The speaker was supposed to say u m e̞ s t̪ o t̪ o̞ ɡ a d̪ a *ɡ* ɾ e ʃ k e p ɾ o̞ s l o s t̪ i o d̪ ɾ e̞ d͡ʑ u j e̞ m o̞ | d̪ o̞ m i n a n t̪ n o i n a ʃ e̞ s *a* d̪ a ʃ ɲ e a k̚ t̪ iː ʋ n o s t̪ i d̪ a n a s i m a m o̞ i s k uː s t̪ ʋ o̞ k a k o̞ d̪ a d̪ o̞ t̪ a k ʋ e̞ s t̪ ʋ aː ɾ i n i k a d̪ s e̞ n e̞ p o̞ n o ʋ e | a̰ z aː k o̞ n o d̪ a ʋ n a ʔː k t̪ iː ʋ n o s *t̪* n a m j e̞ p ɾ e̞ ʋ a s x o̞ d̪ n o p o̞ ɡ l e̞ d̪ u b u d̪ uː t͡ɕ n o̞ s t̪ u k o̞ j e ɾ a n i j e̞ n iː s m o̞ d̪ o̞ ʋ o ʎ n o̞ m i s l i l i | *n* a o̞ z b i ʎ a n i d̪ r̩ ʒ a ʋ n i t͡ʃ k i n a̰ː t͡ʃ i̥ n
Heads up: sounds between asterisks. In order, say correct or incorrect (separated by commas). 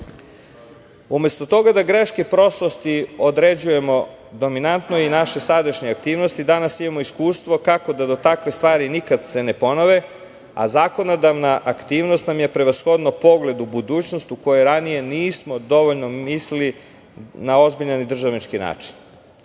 correct, correct, correct, correct